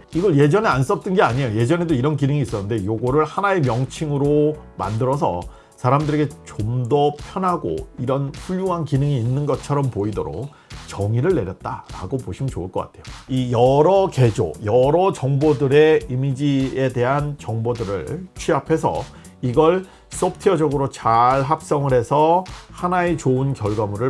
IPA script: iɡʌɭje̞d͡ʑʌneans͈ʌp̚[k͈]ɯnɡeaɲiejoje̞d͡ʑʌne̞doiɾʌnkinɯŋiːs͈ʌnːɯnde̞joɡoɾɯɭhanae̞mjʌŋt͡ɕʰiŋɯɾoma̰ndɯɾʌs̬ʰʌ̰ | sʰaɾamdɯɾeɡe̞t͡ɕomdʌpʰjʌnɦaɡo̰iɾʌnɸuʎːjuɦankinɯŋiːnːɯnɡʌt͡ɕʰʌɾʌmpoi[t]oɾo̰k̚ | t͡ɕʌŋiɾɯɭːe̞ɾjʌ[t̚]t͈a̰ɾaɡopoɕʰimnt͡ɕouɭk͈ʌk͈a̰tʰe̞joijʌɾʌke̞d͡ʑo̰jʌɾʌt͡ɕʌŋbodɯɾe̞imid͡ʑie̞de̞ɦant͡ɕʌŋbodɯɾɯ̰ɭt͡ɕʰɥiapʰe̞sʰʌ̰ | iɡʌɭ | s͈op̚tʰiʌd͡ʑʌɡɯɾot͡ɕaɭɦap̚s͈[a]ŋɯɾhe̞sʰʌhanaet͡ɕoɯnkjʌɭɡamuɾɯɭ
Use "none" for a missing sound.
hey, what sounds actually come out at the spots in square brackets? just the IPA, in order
t͈, d, t̚, ʌ

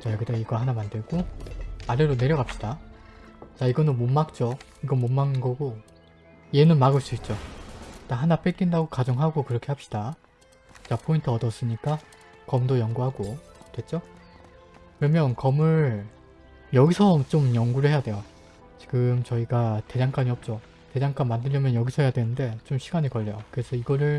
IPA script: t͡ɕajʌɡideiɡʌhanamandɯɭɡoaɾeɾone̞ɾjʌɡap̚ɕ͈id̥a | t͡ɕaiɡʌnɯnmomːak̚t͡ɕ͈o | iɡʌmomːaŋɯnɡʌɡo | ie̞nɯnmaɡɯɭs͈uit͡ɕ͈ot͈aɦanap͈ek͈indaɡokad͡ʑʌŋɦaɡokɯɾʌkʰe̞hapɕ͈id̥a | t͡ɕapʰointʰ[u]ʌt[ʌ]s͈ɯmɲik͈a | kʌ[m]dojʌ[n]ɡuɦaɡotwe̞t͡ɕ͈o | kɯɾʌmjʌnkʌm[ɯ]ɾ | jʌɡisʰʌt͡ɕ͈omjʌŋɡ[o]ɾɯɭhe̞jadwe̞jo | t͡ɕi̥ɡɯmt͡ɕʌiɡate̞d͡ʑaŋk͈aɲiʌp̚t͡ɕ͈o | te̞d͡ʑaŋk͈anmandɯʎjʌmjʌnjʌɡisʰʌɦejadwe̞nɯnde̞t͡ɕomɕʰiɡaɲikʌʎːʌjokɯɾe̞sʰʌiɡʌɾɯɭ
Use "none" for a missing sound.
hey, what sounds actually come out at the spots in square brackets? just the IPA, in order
ɯ, ʌ, m, ŋ, ɯ, u

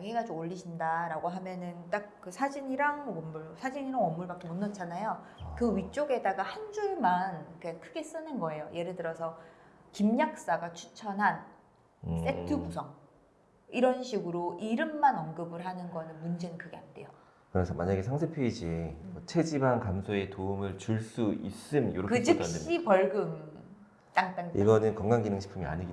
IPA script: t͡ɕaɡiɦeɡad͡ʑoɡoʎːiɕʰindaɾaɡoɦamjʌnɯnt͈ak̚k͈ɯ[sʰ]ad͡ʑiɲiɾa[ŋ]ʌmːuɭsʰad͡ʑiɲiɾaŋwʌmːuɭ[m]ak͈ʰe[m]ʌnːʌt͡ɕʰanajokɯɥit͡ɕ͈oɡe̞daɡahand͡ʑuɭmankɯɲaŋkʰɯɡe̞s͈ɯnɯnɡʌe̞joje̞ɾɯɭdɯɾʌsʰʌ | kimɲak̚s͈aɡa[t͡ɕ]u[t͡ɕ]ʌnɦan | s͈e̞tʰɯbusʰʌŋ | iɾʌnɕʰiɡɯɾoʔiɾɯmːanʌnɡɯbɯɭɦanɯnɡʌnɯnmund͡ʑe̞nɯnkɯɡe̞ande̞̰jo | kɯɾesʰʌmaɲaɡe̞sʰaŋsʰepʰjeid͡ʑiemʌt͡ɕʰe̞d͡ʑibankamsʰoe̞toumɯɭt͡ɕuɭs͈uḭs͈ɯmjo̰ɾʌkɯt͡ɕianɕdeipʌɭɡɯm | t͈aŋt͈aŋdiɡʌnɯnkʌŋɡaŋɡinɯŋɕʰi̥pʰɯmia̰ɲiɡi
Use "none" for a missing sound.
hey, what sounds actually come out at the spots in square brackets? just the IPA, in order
sʰ, ŋ, b, m, t͡ɕʰ, t͡ɕʰ

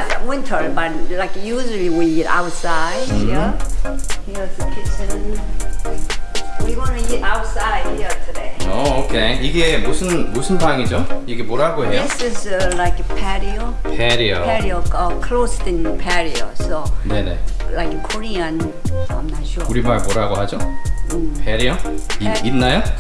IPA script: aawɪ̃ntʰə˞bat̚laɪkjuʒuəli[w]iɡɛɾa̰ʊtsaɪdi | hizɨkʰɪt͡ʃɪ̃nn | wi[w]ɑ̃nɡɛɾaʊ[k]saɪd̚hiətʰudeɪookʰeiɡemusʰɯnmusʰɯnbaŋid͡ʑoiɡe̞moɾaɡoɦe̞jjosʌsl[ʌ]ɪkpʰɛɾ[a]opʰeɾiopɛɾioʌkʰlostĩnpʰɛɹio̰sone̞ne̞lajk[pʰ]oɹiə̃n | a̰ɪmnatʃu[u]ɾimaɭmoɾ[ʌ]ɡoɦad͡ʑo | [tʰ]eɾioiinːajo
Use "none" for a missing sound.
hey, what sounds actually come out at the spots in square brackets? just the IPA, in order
w, w, t, a, i, kʰ, u, a, pʰ

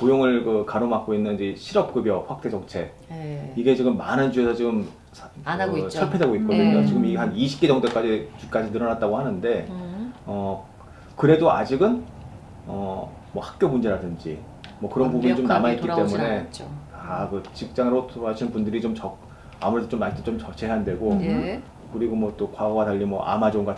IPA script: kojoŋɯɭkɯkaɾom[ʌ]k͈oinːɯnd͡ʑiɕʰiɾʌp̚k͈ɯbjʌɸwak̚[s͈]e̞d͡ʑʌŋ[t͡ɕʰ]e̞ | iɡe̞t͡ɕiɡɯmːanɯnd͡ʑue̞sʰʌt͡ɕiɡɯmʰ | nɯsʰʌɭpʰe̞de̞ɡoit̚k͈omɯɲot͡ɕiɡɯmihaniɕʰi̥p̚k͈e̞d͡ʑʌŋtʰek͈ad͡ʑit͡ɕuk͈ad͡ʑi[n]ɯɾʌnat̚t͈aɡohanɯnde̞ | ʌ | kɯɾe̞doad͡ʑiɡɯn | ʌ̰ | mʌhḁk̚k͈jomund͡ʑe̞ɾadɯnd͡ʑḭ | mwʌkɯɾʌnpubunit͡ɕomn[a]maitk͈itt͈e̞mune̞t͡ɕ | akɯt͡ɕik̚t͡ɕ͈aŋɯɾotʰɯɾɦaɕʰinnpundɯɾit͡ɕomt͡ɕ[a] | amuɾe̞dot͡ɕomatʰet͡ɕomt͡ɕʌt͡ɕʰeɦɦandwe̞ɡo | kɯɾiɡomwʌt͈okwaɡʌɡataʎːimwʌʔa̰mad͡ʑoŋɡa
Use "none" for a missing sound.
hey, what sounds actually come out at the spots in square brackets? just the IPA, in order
a, t͈, t͡ɕʰ, n, a, ʌ

